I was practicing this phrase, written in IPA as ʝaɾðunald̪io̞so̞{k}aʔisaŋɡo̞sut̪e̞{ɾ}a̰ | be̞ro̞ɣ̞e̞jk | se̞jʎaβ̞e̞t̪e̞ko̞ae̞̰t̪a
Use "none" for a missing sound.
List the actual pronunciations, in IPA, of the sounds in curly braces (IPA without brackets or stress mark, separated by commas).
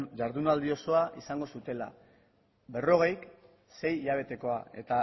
none, l